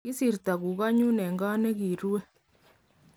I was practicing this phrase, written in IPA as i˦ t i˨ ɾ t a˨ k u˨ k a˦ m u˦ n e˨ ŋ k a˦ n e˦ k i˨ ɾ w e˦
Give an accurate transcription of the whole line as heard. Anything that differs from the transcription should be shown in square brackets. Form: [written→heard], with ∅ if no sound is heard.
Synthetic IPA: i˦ [t→s] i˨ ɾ t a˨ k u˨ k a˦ [m→ɲ] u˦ n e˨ ŋ [k→ɡ] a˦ n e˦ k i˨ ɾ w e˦